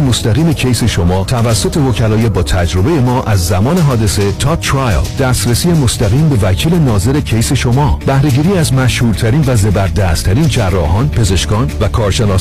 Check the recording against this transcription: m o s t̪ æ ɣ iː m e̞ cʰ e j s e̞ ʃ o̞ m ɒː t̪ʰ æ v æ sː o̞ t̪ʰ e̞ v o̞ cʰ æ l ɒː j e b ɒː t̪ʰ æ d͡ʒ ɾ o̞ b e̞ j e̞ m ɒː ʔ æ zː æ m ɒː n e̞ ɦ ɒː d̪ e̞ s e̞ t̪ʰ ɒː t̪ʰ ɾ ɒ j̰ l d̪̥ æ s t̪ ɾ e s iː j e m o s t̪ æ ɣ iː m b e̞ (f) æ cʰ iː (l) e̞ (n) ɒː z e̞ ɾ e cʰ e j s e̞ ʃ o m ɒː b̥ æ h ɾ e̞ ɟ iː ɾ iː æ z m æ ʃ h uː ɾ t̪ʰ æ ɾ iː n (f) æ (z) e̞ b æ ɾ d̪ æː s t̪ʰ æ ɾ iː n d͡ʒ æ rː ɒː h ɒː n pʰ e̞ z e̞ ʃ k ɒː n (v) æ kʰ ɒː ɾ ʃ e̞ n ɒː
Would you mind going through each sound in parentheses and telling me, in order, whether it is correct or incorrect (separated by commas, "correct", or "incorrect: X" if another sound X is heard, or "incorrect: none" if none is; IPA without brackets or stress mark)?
incorrect: v, correct, correct, incorrect: v, correct, correct